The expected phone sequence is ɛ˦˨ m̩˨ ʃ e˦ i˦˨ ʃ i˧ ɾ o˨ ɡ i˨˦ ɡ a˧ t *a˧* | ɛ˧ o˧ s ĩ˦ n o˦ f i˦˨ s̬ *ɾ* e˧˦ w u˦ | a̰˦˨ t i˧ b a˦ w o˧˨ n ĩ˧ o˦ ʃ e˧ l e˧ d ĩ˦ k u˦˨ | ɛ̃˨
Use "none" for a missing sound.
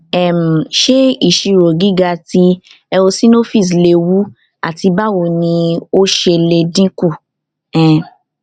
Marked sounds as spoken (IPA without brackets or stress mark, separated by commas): i˧, l